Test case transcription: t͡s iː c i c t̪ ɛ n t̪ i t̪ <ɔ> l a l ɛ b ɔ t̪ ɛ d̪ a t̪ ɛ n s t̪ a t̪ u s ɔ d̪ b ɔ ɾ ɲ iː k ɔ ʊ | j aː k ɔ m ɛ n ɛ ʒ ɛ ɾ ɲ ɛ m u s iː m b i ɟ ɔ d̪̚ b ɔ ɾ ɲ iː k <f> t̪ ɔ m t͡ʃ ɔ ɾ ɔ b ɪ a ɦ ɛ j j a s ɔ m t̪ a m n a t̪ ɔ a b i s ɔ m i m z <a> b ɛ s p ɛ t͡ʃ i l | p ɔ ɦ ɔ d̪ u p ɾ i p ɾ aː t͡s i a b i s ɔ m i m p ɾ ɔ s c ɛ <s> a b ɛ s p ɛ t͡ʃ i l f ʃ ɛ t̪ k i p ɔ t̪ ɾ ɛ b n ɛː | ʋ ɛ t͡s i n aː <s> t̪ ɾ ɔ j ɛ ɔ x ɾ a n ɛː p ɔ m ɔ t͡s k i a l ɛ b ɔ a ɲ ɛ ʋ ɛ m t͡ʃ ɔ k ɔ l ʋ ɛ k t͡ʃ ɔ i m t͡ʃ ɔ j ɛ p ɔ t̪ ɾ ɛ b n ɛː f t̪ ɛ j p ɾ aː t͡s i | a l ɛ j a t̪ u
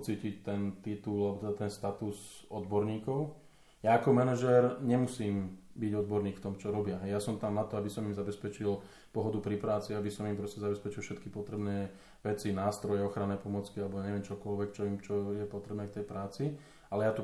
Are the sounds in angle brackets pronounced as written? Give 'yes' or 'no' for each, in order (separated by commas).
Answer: no, yes, yes, no, yes